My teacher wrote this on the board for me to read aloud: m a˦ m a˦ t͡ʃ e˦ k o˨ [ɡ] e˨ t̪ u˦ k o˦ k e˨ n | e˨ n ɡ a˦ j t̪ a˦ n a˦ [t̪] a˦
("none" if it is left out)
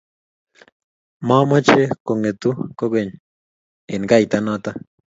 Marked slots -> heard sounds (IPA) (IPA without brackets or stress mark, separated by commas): ŋ, t̪